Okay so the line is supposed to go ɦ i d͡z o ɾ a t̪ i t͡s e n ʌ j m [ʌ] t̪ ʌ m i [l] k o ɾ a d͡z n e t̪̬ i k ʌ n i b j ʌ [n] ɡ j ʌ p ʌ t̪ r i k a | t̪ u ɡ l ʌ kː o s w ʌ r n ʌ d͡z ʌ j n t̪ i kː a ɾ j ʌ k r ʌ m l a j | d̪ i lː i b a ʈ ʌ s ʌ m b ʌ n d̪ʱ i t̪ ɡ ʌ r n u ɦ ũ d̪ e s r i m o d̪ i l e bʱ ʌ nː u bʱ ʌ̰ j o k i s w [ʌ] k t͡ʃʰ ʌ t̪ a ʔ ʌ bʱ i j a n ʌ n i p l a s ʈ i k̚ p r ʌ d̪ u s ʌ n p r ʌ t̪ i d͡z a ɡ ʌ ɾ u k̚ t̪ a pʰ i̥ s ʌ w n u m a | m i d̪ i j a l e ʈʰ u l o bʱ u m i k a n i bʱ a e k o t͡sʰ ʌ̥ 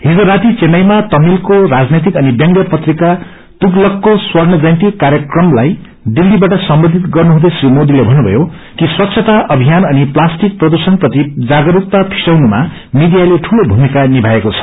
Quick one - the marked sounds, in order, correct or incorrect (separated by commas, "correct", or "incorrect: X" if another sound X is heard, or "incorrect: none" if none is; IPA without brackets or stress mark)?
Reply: incorrect: a, correct, incorrect: ŋ, correct